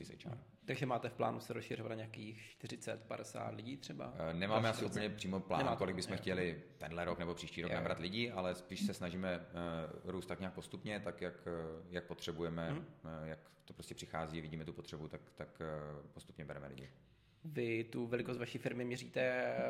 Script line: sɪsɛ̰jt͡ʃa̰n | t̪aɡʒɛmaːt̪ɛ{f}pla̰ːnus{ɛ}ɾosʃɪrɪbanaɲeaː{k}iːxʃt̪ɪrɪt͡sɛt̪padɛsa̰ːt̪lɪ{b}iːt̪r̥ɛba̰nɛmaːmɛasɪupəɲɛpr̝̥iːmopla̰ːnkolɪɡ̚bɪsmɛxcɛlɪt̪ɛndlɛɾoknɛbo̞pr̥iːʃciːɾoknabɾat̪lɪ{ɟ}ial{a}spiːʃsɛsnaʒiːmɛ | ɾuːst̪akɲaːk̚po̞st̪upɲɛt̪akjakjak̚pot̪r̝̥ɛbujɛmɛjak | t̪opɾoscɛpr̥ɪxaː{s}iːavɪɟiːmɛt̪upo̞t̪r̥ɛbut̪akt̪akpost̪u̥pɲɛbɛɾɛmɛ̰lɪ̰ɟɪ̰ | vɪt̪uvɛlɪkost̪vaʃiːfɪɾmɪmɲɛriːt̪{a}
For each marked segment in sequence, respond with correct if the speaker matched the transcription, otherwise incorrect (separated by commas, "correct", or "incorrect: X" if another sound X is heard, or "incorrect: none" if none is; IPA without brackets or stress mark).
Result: correct, correct, correct, incorrect: ɟ, correct, incorrect: ɛ, incorrect: z, incorrect: ɛ